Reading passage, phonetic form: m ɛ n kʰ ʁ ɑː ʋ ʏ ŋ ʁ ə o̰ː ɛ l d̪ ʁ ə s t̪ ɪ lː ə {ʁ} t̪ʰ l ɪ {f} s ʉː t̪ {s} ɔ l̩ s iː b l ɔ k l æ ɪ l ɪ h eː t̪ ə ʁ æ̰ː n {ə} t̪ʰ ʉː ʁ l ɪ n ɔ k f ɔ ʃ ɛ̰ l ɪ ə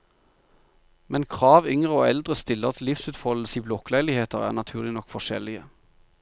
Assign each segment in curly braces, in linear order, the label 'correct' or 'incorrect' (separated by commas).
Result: correct, correct, incorrect, incorrect